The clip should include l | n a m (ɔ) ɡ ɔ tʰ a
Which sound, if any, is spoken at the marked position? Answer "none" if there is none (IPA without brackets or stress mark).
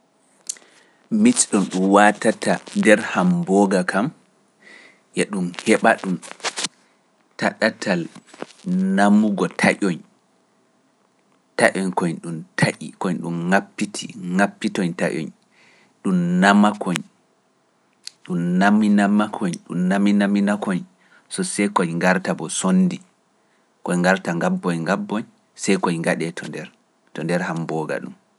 u